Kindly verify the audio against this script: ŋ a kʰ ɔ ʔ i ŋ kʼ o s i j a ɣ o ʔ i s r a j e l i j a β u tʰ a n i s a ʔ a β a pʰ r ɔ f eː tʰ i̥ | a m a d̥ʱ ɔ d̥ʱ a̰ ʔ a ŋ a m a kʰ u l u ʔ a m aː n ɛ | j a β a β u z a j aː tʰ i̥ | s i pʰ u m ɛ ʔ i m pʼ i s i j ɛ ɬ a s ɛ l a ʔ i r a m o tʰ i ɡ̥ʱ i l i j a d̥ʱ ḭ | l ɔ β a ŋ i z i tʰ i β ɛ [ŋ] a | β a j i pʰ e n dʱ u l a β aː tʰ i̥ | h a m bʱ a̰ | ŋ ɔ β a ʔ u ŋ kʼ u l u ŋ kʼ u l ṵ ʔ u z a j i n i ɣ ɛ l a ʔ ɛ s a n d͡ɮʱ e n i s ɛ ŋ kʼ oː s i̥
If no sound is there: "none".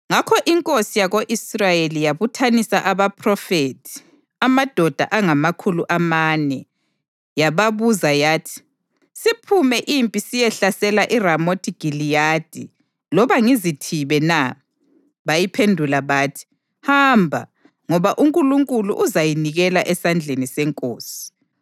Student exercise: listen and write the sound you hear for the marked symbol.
n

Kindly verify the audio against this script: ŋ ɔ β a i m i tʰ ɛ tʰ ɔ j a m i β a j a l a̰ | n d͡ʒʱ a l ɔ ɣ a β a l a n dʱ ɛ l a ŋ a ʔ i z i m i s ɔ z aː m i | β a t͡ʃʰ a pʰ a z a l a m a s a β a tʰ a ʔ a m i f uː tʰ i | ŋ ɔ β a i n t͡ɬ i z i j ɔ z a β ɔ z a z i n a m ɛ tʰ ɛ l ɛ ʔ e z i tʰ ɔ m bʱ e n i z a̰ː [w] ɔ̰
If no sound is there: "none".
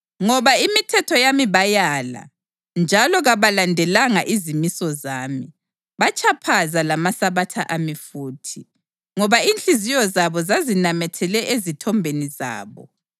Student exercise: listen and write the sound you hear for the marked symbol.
β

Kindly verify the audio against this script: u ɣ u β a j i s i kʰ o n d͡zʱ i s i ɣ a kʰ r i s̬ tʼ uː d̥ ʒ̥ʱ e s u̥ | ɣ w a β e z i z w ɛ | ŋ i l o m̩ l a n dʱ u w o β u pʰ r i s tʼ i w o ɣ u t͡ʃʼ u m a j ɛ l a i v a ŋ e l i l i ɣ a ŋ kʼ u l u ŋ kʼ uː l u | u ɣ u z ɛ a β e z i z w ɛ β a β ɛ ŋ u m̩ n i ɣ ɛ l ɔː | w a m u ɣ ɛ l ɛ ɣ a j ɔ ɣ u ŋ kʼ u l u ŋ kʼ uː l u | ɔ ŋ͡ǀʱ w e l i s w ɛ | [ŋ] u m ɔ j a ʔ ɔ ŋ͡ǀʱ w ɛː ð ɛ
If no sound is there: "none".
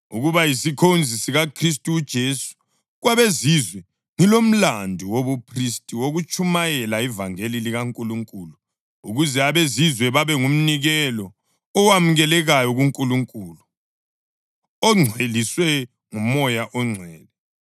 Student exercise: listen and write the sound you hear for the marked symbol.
ŋ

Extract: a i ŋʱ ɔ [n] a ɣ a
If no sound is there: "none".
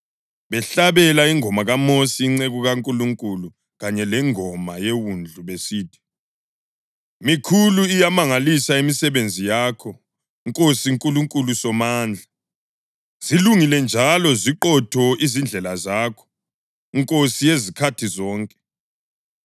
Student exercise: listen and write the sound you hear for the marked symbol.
m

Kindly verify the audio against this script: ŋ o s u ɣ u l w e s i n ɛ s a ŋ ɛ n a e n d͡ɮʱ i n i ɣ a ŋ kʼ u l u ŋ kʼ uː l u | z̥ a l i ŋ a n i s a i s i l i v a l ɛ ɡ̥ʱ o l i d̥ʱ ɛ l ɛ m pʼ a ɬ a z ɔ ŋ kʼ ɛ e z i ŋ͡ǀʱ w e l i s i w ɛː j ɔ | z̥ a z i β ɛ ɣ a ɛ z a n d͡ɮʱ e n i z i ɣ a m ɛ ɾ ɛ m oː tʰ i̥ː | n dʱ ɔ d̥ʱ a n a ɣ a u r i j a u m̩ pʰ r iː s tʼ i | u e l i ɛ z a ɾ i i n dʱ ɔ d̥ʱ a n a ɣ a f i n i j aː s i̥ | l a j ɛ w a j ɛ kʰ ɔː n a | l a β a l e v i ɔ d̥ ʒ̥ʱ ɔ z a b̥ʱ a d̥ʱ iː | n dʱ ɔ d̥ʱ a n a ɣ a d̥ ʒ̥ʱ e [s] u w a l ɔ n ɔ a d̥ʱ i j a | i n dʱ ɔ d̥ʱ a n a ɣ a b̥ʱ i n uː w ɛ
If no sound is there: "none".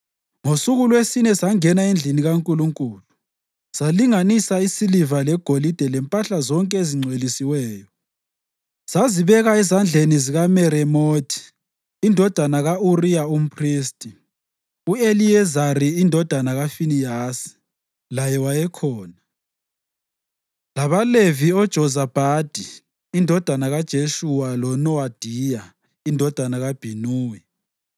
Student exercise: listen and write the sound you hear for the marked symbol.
ʃ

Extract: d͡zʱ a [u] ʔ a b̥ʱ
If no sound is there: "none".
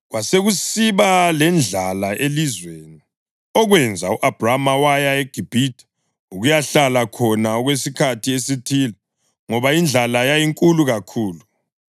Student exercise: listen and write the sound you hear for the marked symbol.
u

